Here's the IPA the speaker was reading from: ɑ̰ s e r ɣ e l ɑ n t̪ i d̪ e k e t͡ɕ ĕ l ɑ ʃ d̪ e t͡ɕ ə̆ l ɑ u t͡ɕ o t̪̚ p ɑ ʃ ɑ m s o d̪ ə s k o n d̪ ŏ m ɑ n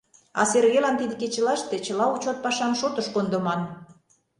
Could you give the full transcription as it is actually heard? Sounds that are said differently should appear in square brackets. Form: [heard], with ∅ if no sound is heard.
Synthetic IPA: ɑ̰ s e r ɣ e l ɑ n t̪ i d̪ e k e t͡ɕ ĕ l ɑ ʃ [t̪] e t͡ɕ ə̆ l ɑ u t͡ɕ o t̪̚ p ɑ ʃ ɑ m [ʃ] o [t̪] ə [ʃ] k o n d̪ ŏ m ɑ n